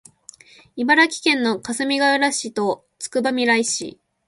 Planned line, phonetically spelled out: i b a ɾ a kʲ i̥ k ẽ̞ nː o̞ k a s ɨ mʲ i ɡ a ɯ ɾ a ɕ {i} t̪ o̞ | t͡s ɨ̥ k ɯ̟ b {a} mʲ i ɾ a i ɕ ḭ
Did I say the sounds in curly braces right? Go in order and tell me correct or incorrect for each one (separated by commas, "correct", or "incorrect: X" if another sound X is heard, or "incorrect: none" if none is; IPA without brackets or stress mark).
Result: correct, correct